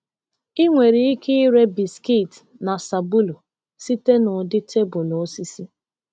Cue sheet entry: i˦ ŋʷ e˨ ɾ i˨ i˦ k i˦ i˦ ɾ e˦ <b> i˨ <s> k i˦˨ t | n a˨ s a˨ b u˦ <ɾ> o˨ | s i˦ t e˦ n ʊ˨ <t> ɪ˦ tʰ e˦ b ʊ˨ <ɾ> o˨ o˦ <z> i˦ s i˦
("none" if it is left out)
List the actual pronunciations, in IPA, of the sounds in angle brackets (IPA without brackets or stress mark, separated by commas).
b, s, l, d, l, s